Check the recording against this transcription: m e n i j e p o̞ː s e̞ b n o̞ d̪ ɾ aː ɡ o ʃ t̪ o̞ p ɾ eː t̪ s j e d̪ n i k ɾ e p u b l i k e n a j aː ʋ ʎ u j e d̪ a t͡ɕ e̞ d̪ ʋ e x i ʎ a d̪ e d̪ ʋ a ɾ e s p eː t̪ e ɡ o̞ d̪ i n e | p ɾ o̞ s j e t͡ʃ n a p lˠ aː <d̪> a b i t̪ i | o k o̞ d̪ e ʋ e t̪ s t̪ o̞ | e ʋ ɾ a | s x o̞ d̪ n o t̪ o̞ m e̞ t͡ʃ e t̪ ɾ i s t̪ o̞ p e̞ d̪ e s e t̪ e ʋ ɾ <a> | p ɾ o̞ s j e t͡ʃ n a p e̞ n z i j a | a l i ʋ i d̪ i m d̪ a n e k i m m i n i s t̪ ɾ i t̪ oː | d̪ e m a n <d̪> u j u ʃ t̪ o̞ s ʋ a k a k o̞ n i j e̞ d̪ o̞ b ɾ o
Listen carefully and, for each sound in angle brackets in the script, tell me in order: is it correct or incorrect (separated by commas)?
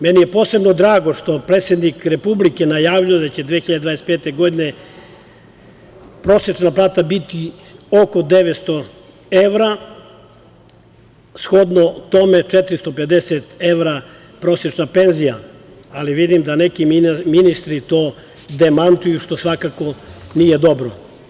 incorrect, correct, incorrect